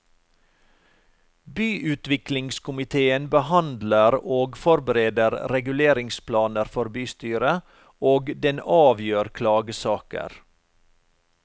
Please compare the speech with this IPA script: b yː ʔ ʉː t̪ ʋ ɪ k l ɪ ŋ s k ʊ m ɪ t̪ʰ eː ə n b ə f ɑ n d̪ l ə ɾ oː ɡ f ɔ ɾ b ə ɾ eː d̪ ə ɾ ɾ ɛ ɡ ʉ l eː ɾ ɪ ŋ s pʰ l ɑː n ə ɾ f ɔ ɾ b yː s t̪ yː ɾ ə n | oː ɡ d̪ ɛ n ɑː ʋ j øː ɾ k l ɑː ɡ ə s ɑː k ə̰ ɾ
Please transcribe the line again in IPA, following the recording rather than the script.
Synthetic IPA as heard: b yː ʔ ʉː t̪ ʋ ɪ k l ɪ ŋ s k ʊ m ɪ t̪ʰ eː ə n b ə h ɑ n d̪ l ə ɾ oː ɡ f ɔ ɾ b ə ɾ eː d̪ ə ɾ ɾ ɛ ɡ ʉ l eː ɾ ɪ ŋ s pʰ l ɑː n ə ɾ f ɔ ɾ b yː s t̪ yː ɾ ə | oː ɡ d̪ ɛ n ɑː ʋ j øː ɾ kʰ l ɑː ɡ ə s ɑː k ə̰ ɾ